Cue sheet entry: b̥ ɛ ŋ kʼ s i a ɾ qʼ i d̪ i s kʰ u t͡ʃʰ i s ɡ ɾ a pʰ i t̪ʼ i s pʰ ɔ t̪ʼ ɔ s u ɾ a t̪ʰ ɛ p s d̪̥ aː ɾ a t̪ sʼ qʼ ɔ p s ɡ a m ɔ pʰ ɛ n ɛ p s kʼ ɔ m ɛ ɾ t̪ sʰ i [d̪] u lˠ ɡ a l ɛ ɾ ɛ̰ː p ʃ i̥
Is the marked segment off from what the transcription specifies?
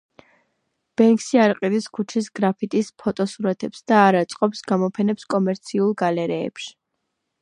yes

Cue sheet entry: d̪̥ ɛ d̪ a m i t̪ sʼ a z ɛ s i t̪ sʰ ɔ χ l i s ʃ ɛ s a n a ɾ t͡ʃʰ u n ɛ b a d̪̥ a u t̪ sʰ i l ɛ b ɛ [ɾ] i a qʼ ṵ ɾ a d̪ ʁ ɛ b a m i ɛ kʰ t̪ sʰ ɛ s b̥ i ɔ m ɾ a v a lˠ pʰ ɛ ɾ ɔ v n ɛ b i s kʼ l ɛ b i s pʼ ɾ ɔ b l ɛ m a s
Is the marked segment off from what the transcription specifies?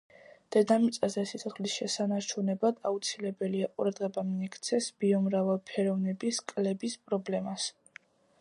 yes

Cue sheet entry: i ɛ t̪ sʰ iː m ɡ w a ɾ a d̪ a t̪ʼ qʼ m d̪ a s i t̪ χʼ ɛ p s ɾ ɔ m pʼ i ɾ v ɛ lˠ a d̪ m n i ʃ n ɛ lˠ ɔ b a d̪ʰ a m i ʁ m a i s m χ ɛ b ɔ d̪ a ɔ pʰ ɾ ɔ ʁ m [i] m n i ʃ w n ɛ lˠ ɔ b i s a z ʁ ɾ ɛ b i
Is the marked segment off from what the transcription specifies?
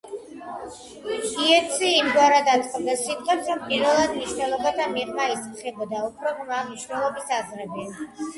yes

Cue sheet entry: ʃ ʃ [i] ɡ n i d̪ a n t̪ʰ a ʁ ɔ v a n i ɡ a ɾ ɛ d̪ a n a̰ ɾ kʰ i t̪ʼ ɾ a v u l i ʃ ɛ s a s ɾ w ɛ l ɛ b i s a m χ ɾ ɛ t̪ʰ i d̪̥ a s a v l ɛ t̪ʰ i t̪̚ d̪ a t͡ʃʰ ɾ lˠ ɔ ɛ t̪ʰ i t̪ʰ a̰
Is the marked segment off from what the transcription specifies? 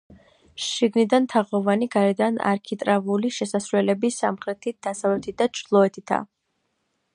no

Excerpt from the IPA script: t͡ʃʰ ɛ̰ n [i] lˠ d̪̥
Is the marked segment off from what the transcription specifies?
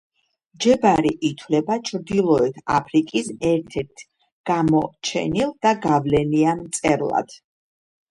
no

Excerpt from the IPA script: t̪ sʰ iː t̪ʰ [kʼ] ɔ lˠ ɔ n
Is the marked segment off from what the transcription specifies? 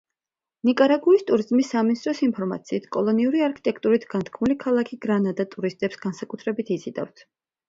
no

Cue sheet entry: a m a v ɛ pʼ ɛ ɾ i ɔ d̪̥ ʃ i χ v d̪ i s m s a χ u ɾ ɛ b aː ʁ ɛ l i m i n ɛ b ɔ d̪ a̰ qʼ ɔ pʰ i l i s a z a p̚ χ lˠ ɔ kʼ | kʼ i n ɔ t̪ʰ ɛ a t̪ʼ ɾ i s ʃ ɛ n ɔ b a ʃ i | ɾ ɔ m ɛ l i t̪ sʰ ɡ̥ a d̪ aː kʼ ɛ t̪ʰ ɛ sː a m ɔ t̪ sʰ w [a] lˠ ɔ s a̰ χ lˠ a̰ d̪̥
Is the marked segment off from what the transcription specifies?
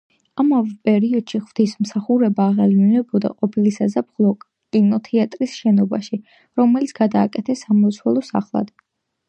yes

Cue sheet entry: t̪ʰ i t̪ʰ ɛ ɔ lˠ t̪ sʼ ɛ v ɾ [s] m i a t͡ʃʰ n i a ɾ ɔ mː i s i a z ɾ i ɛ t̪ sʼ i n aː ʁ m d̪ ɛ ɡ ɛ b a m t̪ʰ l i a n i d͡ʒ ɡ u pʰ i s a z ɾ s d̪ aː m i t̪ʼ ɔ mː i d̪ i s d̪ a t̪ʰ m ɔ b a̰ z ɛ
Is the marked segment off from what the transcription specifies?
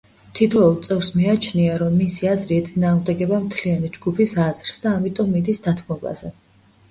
no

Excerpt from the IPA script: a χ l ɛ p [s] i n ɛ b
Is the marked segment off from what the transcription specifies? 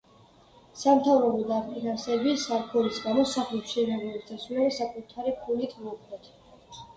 yes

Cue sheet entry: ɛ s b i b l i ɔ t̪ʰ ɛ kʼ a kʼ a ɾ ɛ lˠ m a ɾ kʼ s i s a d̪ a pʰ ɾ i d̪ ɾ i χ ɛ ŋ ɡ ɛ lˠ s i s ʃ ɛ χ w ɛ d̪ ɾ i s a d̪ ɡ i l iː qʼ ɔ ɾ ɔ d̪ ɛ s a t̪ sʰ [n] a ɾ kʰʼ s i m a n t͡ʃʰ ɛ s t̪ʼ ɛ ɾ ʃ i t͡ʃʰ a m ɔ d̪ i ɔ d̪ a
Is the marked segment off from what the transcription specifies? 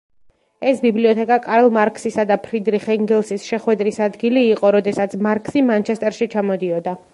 yes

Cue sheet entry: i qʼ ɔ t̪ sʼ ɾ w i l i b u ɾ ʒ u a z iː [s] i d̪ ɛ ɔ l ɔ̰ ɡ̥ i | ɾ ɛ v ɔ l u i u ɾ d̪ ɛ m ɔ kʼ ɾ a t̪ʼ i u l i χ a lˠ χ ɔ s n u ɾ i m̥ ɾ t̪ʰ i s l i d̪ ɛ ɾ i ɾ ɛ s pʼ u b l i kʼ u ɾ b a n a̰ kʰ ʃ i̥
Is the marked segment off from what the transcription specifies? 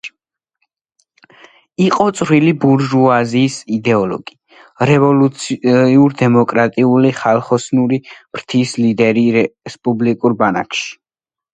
no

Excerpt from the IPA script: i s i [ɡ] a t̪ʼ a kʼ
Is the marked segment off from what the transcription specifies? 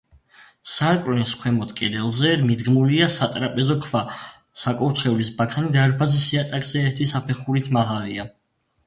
yes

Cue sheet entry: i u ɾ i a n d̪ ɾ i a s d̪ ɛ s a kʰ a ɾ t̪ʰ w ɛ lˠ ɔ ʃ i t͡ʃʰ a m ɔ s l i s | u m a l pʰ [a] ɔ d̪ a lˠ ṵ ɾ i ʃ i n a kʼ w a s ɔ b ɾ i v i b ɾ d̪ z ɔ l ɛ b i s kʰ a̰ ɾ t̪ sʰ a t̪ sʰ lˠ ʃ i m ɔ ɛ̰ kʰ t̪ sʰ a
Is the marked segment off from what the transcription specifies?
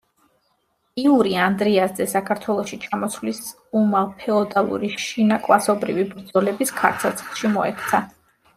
yes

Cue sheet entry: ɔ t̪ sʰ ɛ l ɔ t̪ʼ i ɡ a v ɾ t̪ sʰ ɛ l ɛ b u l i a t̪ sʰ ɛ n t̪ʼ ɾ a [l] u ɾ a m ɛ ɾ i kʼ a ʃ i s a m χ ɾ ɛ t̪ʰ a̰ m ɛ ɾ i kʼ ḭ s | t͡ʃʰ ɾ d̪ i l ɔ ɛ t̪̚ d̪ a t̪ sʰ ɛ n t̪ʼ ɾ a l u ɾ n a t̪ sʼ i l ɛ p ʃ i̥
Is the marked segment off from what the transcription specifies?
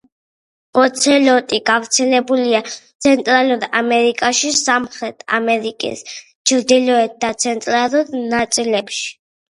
no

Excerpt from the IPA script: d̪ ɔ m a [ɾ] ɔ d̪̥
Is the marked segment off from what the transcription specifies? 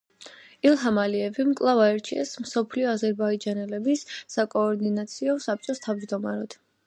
no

